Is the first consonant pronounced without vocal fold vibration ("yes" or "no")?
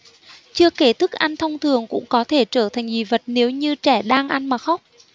yes